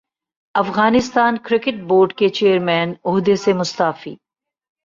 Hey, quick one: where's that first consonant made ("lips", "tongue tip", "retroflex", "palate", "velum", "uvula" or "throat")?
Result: lips